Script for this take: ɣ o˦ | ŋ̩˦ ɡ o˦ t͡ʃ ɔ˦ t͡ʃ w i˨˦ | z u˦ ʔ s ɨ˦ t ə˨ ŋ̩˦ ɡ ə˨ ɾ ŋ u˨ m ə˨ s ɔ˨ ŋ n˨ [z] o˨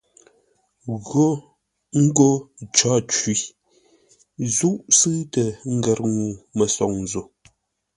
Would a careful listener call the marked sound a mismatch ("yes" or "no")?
no